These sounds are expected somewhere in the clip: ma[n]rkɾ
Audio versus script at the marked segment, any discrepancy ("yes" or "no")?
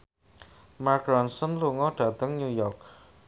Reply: yes